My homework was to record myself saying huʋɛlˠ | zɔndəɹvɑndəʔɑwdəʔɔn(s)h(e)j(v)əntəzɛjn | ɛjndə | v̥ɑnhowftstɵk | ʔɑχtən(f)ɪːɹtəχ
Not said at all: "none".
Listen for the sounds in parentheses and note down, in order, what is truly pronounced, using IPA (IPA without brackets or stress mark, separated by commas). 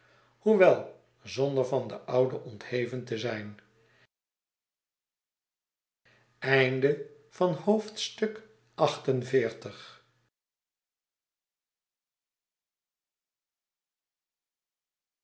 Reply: t, e, v, v